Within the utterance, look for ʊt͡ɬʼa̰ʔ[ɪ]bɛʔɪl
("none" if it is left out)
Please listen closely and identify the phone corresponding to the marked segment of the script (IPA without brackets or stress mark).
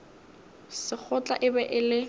ɪ